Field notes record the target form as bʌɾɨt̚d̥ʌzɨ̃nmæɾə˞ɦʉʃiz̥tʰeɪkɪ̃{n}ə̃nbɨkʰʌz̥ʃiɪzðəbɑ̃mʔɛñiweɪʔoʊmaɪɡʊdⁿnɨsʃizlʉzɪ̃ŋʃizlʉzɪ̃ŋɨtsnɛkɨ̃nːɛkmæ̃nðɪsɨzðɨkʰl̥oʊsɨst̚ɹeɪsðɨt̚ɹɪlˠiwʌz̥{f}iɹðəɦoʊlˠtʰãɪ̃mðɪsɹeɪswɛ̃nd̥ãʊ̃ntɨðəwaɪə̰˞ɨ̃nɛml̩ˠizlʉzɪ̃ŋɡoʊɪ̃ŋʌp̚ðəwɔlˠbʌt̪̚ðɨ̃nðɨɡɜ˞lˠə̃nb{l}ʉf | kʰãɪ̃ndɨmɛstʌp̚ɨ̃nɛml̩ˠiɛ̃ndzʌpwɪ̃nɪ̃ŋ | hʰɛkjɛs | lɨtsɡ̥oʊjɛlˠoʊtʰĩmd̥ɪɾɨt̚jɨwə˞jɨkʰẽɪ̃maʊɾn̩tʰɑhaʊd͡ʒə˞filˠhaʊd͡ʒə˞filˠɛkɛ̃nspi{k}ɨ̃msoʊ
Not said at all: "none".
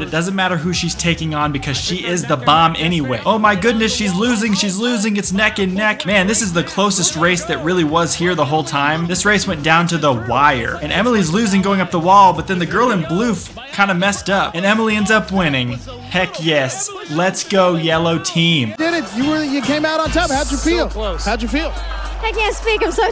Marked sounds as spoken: ŋ, h, l, k

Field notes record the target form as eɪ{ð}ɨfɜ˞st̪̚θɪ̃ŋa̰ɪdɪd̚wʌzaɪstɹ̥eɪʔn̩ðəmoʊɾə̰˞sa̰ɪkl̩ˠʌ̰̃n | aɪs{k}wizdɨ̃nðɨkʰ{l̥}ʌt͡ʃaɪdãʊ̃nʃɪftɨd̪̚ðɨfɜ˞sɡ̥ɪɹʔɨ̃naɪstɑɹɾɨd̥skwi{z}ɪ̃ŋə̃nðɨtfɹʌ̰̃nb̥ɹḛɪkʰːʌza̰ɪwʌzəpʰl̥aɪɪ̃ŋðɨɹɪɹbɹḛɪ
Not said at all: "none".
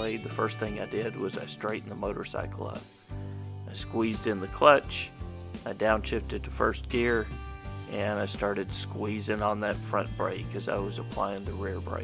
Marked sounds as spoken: ð, k, l̥, z

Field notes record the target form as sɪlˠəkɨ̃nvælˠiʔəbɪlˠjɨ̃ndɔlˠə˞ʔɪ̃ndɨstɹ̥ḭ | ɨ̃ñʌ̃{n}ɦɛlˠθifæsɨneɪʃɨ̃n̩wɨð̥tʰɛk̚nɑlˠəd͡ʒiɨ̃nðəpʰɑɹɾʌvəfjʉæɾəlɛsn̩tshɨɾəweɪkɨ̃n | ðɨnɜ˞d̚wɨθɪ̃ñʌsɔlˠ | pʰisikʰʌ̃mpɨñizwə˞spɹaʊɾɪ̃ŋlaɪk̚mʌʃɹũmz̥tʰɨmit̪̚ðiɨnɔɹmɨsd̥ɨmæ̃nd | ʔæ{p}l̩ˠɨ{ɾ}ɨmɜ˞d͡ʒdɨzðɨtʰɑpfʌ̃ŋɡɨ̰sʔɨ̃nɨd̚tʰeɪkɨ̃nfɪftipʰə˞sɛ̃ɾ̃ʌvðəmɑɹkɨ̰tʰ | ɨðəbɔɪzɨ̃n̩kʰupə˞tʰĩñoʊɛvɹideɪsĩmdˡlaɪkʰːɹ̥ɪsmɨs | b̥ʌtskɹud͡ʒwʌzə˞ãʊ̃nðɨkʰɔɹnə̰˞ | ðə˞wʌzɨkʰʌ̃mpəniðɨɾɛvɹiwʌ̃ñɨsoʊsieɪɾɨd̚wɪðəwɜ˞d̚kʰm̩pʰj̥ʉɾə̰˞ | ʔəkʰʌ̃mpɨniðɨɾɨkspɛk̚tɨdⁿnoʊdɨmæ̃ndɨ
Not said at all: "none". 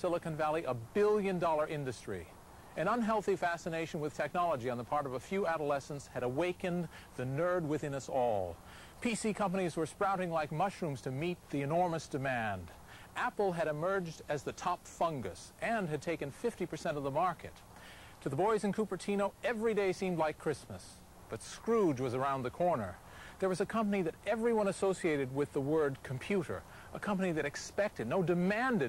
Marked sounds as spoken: n, p, ɾ

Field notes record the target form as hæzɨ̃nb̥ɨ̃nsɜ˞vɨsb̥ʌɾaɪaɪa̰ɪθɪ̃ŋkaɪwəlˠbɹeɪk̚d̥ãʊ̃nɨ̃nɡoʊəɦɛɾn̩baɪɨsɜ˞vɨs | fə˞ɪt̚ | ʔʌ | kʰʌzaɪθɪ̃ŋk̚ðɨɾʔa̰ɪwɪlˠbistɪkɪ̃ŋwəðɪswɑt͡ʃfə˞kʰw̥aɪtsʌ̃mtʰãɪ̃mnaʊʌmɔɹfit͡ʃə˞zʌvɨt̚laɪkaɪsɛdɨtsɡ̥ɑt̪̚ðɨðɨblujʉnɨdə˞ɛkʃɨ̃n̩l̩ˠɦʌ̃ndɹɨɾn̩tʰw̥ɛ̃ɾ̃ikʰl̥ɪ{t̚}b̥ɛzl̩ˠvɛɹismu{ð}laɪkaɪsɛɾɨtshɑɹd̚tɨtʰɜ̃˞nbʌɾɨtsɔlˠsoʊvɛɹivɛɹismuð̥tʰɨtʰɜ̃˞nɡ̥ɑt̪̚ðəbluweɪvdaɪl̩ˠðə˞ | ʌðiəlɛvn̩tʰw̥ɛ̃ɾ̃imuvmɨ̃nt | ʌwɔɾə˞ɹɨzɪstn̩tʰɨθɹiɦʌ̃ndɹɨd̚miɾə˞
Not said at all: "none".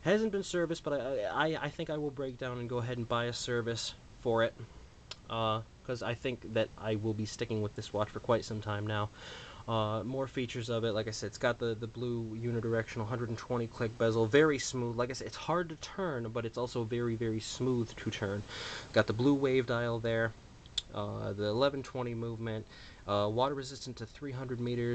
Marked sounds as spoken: k̚, ð

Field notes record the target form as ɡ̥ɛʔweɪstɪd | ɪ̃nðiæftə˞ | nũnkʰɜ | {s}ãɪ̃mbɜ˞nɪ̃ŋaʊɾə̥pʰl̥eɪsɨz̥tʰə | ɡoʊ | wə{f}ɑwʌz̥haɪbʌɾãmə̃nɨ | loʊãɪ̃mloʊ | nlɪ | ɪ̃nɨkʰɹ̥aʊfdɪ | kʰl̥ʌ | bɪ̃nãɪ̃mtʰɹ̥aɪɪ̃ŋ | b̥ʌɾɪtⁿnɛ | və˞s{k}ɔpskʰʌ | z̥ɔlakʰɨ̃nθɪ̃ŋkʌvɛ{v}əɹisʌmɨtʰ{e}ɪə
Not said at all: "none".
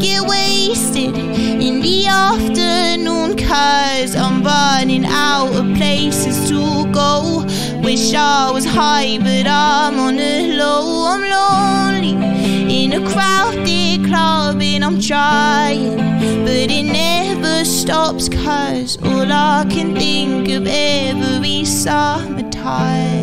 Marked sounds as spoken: z, ʃ, t, v, a

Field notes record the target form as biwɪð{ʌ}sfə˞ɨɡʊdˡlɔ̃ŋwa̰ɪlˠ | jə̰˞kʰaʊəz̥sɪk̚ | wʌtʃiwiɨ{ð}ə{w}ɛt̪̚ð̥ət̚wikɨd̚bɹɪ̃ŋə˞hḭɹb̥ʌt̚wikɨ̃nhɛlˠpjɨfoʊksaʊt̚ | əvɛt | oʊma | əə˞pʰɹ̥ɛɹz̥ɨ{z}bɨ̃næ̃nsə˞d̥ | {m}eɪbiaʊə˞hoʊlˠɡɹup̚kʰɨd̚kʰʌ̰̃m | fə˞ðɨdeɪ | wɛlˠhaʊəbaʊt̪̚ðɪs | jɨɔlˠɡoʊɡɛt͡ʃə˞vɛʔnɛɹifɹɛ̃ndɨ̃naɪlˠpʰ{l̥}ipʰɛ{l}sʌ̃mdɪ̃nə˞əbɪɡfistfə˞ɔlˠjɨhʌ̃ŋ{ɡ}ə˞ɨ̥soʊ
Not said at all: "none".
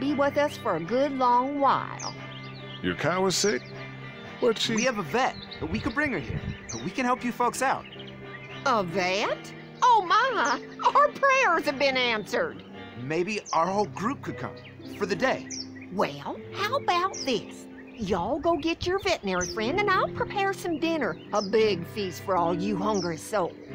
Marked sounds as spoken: ʌ, v, v, v, m, ɹ̥, ɹ, ɡ

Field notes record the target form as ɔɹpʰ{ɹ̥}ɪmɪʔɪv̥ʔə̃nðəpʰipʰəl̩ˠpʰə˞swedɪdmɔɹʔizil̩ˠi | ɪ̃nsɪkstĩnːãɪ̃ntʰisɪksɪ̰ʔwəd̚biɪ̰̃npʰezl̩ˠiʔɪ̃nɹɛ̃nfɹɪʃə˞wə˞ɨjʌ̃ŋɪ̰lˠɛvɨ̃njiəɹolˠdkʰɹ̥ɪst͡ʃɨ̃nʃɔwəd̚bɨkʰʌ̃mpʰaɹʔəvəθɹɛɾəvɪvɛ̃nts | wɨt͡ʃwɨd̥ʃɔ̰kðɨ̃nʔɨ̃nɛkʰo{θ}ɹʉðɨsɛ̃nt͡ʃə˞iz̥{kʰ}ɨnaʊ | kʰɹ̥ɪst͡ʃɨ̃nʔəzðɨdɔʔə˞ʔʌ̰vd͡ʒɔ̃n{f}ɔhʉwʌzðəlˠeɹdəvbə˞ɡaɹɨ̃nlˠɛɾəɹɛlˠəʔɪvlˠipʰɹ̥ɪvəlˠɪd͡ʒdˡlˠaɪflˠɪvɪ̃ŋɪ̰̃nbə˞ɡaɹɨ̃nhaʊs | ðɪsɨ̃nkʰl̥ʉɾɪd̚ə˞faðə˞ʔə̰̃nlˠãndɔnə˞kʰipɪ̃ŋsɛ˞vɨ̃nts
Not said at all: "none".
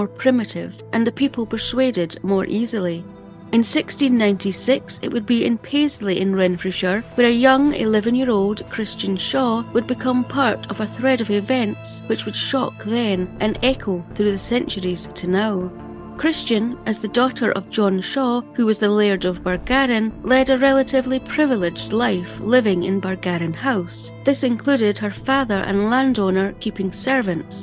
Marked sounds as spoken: ɹ̥, θ, tʰ, ʃ

